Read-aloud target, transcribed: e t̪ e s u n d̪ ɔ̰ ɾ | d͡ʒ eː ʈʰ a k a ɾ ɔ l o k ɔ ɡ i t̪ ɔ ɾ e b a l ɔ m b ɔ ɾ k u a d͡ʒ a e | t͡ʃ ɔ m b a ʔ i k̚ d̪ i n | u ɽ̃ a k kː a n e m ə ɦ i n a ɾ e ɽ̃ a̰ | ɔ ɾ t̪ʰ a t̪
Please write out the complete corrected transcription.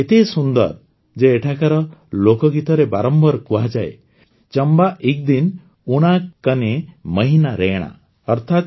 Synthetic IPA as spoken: e t̪ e s u n d̪ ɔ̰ ɾ | d͡ʒ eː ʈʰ a k a ɾ ɔ l o k ɔ ɡ i t̪ ɔ ɾ e b a ɾ ɔ m b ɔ ɾ k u a d͡ʒ a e | t͡ʃ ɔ m b a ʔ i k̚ d̪ i n | u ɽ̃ a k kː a n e m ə ɦ i n a ɾ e ɽ̃ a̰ | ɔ ɾ t̪ʰ a t̪